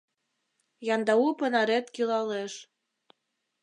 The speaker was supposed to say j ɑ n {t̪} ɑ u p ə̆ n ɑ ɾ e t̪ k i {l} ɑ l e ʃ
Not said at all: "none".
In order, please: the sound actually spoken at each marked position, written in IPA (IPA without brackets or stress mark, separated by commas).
d̪, l